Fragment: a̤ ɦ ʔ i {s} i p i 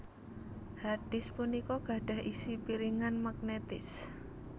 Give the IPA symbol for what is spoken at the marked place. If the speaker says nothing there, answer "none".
s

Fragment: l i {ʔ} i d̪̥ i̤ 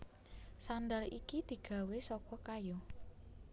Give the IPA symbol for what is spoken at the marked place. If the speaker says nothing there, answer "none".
k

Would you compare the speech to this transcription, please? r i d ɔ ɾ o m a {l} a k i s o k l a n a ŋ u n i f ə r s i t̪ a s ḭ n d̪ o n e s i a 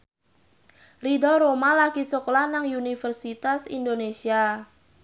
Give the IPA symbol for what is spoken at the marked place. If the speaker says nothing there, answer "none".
l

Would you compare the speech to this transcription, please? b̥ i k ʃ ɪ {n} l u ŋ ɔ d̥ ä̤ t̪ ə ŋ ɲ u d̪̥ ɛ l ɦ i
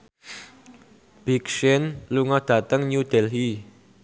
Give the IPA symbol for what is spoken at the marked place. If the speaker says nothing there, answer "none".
n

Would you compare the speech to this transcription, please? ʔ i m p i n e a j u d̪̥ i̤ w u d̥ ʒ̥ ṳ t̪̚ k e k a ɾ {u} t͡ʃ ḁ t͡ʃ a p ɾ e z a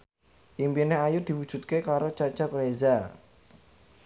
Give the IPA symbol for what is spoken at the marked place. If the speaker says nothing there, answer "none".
o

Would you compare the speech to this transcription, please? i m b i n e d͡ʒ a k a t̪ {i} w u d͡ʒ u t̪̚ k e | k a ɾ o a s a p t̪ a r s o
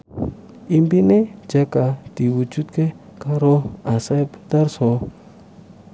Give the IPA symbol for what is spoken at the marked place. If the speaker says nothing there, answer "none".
i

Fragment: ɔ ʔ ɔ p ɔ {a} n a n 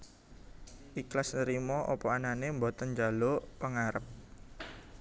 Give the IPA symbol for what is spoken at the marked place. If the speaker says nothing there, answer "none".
a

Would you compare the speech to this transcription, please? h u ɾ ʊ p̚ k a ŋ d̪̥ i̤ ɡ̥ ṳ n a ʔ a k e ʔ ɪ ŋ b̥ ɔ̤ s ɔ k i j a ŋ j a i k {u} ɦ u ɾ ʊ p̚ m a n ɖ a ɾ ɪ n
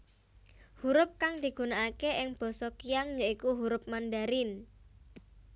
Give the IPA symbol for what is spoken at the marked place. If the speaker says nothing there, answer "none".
u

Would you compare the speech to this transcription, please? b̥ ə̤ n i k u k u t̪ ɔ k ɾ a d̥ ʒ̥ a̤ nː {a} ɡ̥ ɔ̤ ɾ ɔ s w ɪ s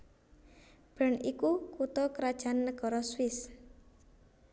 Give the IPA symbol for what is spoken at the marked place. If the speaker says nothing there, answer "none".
ə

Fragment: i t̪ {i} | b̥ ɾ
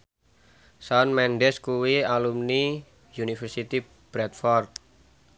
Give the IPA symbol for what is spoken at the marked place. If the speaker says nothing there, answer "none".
i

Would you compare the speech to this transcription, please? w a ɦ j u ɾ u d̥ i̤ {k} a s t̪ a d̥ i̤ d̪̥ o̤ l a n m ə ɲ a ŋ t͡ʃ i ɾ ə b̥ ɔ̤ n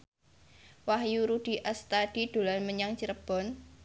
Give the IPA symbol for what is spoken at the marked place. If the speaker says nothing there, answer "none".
ʔ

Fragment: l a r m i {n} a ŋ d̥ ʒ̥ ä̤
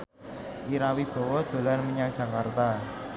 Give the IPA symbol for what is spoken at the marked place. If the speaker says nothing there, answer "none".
ɲ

